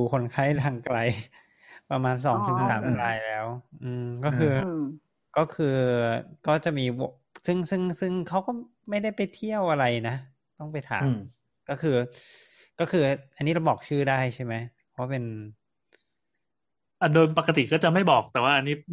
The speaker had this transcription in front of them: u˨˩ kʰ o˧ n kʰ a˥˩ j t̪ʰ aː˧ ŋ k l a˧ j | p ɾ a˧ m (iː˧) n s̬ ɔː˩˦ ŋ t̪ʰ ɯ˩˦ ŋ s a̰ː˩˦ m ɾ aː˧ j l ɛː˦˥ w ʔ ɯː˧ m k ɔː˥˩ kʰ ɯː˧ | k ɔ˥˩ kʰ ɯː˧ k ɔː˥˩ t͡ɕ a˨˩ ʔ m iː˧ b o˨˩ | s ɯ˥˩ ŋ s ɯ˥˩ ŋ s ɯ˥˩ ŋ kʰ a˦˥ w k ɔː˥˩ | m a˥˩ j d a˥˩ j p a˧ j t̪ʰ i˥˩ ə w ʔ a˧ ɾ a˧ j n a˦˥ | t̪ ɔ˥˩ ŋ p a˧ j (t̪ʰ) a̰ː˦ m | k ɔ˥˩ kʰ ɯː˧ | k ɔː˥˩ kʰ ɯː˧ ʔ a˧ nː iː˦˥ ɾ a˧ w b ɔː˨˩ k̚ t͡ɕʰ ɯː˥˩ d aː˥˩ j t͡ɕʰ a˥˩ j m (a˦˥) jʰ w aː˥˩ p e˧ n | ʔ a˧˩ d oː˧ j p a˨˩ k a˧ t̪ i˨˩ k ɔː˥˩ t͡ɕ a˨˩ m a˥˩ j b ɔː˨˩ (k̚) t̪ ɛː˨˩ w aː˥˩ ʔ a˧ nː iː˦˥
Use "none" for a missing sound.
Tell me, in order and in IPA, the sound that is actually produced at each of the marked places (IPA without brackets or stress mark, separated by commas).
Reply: aː˧, t̪ʰ, a˦˥, k̚